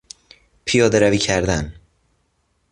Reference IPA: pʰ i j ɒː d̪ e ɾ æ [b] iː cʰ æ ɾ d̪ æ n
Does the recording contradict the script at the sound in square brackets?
yes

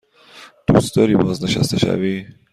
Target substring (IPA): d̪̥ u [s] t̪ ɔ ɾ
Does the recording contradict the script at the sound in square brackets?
no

